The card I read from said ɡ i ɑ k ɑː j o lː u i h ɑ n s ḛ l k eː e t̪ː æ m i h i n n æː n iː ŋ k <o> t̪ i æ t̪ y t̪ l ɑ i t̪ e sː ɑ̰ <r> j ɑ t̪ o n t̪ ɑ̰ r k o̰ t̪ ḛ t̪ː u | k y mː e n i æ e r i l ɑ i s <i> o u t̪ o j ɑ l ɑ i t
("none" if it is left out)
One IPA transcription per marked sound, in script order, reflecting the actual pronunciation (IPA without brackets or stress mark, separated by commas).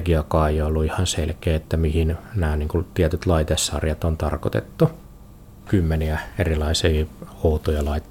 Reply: u, r, iː